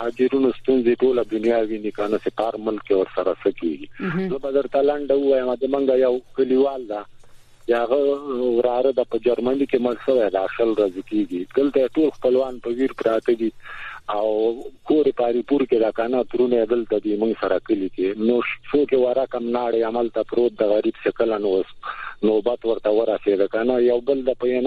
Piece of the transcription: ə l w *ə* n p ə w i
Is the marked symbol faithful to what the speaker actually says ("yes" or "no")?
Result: no